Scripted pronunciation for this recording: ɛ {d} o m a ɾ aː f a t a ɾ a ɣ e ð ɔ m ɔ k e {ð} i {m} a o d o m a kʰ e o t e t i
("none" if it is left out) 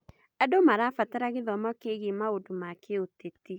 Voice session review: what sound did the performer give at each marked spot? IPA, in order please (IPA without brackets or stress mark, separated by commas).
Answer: d, ɣ, m